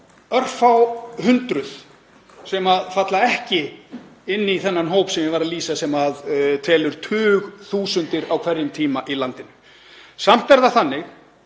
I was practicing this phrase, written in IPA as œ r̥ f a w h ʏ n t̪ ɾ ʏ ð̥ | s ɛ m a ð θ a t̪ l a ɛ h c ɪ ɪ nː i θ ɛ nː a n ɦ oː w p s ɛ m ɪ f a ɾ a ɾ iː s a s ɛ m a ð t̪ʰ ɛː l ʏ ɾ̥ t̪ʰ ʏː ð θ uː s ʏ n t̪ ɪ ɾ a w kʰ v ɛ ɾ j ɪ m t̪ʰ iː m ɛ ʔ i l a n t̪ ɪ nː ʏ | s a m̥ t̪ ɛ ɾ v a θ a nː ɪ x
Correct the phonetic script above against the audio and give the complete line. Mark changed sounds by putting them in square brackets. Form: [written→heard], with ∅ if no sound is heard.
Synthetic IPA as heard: œ r̥ f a w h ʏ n t̪ ɾ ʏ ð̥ | s ɛ m a ð [θ→f] a t̪ l a ɛ h c ɪ ɪ nː i θ ɛ nː a n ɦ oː w p s ɛ m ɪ [f→v] a ɾ a [ɾ→l] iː s a s ɛ m a ð t̪ʰ ɛː l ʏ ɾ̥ t̪ʰ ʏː [ð→ɣ] θ uː s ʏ n t̪ ɪ ɾ a w kʰ v ɛ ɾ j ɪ m t̪ʰ iː m [ɛ→a] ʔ i l a n t̪ ɪ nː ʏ | s a m̥ t̪ ɛ ɾ [v→ð] a θ a nː ɪ x